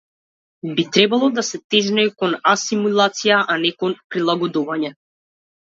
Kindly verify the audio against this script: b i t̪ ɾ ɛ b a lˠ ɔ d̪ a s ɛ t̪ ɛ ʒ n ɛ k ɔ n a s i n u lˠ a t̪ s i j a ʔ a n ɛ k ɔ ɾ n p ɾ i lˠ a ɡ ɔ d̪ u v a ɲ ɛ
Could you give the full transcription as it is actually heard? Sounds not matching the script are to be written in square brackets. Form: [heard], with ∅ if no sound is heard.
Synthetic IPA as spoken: b i t̪ ɾ ɛ b a lˠ ɔ d̪ a s ɛ t̪ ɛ ʒ n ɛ k ɔ n a s i [m] u lˠ a t̪ s i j a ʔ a n ɛ k ɔ [∅] n p ɾ i lˠ a ɡ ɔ d̪ u v a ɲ ɛ